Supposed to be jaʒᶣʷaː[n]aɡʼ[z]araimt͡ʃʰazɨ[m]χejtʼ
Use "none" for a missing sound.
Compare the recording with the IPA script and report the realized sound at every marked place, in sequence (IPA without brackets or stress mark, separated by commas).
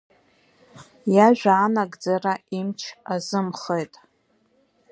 n, d͡z, m